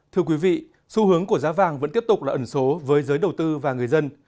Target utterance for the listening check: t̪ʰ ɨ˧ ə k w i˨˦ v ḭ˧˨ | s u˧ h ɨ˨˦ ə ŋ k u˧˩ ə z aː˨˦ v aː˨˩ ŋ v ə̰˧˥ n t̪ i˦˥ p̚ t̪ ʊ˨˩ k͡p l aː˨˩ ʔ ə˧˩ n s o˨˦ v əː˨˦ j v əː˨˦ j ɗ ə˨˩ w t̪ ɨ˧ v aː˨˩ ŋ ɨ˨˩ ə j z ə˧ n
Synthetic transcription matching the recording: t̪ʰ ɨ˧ ə k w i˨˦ v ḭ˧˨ | s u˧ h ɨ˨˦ ə ŋ k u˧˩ ə z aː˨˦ v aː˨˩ ŋ v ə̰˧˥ n t̪ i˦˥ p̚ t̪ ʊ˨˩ k͡p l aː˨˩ ʔ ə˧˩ n s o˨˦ v əː˨˦ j z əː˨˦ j ɗ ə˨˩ w t̪ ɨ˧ v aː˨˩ ŋ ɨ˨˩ ə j z ə˧ n